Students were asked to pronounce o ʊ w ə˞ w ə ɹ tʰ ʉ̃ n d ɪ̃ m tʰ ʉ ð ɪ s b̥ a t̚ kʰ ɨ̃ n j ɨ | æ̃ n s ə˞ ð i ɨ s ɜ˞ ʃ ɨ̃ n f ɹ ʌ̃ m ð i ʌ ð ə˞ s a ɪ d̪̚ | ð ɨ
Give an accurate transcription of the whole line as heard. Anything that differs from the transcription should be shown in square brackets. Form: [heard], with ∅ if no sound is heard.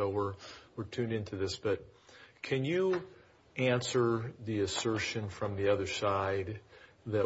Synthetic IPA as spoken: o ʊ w ə˞ w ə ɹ tʰ ʉ̃ n d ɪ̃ [n] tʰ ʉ ð ɪ s b̥ [ʌ] t̚ kʰ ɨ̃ n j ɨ | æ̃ n s ə˞ ð i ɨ s ɜ˞ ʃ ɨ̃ n f ɹ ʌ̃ m ð i ʌ ð ə˞ s a ɪ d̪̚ | ð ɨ